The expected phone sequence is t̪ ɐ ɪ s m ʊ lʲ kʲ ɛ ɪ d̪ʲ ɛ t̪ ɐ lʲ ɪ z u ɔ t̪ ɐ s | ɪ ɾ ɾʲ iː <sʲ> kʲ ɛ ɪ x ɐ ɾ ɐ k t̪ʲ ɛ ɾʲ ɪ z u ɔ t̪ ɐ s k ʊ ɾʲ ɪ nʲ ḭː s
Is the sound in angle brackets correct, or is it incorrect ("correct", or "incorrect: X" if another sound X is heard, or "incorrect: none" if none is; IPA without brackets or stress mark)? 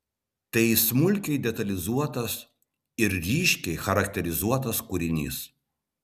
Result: incorrect: ʃʲ